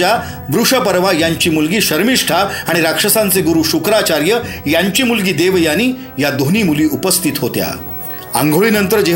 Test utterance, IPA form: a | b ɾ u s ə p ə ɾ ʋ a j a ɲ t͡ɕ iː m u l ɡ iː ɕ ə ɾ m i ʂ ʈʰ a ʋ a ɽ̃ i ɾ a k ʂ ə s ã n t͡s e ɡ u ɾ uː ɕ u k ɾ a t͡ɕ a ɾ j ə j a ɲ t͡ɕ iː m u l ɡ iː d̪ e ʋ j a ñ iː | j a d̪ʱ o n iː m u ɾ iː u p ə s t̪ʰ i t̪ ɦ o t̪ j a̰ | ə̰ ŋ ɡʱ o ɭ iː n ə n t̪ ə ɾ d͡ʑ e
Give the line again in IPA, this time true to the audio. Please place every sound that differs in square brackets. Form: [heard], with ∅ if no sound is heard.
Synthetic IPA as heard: a | b ɾ u [ʂ] ə p ə ɾ ʋ a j a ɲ t͡ɕ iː m u l ɡ iː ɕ ə ɾ m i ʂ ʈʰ a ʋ a ɽ̃ i ɾ a k ʂ ə s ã n t͡s e ɡ u ɾ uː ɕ u k ɾ a t͡ɕ a ɾ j ə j a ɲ t͡ɕ iː m u l ɡ iː d̪ e ʋ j a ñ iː | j a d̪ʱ o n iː m u [l] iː u p ə s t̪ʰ i t̪ ɦ o t̪ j a̰ | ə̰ ŋ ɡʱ o ɭ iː n ə n t̪ ə ɾ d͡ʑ e